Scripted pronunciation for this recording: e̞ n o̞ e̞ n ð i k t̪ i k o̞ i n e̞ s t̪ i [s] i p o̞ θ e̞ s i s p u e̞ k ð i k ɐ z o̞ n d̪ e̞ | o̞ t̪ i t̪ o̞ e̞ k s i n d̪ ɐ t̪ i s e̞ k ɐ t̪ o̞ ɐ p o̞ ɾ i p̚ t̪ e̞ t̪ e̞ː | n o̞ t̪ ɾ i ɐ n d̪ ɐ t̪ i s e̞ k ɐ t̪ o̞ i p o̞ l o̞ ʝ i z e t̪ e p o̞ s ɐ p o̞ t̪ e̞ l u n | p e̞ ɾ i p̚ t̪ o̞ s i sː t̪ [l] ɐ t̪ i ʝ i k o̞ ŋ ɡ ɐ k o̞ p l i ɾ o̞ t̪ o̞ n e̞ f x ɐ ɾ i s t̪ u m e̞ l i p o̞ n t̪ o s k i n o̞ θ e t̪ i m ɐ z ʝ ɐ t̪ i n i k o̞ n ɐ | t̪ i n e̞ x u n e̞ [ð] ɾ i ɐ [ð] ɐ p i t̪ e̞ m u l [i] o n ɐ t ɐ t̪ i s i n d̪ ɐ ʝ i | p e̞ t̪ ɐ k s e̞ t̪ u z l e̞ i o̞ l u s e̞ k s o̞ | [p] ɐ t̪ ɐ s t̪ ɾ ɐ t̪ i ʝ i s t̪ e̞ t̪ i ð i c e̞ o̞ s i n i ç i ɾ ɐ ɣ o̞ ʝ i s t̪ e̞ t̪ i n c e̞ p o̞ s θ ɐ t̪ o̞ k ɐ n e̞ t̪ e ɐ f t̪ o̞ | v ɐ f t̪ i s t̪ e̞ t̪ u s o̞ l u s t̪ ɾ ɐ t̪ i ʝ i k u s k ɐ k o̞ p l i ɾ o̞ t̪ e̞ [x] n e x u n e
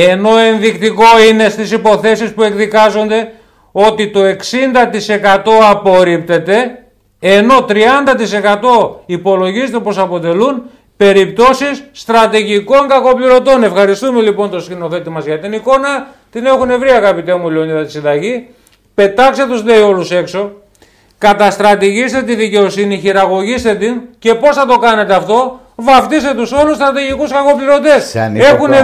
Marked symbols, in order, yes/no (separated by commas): yes, no, no, no, no, no, no